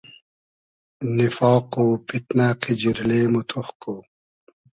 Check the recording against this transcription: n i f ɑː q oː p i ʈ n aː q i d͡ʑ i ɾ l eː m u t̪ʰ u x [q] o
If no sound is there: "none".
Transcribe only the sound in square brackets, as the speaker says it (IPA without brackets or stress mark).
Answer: k